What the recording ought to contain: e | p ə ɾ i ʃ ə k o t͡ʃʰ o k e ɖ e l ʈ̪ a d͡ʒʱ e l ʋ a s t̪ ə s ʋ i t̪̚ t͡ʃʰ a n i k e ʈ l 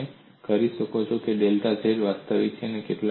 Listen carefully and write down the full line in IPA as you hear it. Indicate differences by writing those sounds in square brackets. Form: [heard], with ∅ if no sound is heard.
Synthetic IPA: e | [k] ə ɾ i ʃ ə k o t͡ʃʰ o k e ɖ e l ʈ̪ a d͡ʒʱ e [ɾ] ʋ a s t̪ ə [∅] ʋ i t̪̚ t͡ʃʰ [e] n [e] k e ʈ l